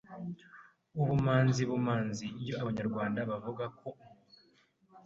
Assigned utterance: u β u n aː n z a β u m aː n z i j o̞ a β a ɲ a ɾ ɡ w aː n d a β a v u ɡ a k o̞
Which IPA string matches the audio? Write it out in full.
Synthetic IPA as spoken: u β u m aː n z i β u m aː n z i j o̞ a β a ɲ a ɾ ɡ w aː n d a β a v u ɡ a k o̞

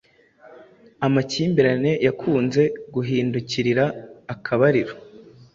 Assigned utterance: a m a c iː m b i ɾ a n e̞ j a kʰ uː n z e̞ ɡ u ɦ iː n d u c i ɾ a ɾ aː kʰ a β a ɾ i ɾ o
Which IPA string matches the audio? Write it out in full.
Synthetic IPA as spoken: a m a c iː m b i ɾ a n e̞ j a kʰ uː n z e̞ ɡ u ɦ iː n d u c i ɾ i ɾ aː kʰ a β a ɾ i ɾ o

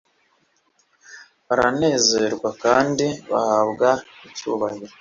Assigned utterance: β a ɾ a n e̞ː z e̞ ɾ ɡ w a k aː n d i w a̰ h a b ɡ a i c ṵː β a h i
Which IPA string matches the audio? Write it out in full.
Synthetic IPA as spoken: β a ɾ a n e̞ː z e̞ ɾ ɡ w a k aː n d i β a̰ h a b ɡ a i c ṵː β a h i

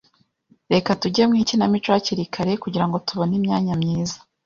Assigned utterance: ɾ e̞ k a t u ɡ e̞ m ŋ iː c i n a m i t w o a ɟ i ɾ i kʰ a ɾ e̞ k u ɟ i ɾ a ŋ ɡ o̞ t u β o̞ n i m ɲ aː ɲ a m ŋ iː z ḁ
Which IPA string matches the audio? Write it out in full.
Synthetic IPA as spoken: ɾ e̞ k a t u ɟ e̞ m ŋ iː c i n a m i t͡ʃ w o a c i ɾ i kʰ a ɾ e̞ k u ɟ i ɾ a ŋ ɡ o̞ t u β o̞ n i m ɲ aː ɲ a m ɲ iː z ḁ

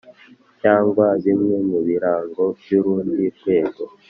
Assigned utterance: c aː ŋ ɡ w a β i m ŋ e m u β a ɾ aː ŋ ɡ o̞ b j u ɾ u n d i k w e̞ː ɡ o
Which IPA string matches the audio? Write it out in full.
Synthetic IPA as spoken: c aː ŋ ɡ w a β i m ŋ e m u β i ɾ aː ŋ ɡ o̞ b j u ɾ uː n d i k w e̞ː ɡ o

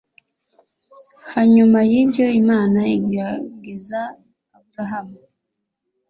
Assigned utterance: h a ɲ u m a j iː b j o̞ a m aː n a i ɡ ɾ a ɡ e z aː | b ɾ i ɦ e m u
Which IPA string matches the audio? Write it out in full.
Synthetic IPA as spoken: h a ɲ u m a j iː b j o̞ i m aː n a i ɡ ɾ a ɡ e z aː | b ɾ a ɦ a m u

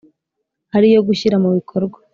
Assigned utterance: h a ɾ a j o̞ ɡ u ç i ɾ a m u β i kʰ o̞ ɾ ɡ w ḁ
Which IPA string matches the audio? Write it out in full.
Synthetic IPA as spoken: h a ɾ i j o̞ ɡ u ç i ɾ a m u β i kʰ o̞ ɾ ɡ w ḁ

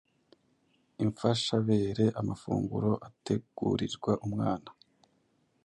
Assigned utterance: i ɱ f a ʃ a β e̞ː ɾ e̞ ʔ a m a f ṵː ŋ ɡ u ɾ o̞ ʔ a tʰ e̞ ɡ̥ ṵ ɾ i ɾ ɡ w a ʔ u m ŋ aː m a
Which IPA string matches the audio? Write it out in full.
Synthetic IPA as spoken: i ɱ f a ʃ a β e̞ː ɾ e̞ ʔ a m a f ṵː ŋ ɡ u ɾ o̞ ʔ a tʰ e̞ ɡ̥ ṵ ɾ i ɾ ɡ w a ʔ u m ŋ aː n a

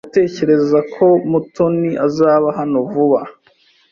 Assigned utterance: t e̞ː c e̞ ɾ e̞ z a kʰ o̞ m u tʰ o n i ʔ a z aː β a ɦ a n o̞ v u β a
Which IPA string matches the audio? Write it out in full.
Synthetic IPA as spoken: t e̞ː c e̞ ɾ e̞ z a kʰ o̞ m u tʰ o n i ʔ a z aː β a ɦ a n o̞ v u β a

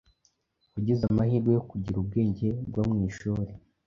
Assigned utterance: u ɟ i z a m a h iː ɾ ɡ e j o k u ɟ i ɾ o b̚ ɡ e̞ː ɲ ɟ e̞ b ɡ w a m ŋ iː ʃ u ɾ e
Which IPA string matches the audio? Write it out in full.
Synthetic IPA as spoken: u ɟ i z a m a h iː ɾ ɡ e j o k u ɟ i ɾ u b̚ ɡ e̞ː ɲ ɟ e̞ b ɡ w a m ŋ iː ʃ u ɾ e

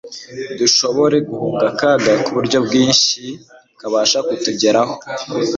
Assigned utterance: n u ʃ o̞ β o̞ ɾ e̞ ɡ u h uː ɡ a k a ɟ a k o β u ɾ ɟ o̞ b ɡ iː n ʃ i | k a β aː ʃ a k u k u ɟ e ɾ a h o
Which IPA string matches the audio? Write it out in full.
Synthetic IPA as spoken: d u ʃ o̞ β o̞ ɾ e̞ ɡ u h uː ɡ a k a ɡ a k u β u ɾ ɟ o̞ b ɡ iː n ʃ i | k a β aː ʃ a k u t u ɟ e ɾ a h o

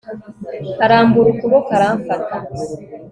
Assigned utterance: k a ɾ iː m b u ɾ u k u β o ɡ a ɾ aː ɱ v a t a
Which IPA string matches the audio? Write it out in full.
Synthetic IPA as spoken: k a ɾ aː m b u ɾ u k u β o k a ɾ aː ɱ f a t a

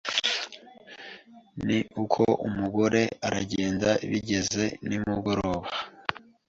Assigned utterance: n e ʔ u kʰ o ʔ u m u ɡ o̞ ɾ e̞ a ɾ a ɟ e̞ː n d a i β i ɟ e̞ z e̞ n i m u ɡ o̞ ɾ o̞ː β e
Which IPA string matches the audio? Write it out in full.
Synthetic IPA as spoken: n i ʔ u kʰ o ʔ u m u ɡ o̞ ɾ e̞ a ɾ a ɟ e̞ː n d a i β i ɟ e̞ z e̞ n i m u ɡ o̞ ɾ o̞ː β a

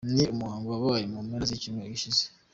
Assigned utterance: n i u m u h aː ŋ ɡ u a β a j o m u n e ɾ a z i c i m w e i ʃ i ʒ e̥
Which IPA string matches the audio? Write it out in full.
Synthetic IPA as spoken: n i u m u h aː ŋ ɡ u a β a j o m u m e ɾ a z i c i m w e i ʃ i z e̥

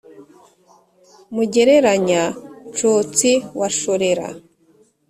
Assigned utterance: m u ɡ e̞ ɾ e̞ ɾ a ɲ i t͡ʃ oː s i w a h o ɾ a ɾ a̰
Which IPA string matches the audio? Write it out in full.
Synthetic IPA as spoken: m u ɟ e̞ ɾ e̞ ɾ a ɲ a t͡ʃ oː t͡s i w a ʃ o ɾ e ɾ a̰

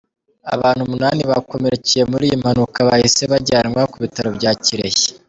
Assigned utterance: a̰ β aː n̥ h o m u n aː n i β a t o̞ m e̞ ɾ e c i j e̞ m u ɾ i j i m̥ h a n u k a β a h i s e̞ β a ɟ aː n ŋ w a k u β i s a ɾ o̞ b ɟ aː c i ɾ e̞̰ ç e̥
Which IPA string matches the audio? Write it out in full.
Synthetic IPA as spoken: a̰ β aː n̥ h u m u n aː n i β a k o̞ m e̞ ɾ e c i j e̞ m u ɾ i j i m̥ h a n u k a β a h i s e̞ β a ɟ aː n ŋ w a k u β i t a ɾ o̞ b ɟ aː c i ɾ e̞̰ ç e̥

